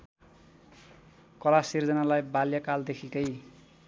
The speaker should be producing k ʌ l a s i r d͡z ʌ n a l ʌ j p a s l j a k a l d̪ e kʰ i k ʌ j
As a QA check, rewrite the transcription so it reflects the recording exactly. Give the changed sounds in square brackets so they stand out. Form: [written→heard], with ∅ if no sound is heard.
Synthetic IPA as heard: k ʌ l a s i r d͡z ʌ n a l [ʌ→a] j [p→b] a [s→∅] l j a k a l d̪ e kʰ i k ʌ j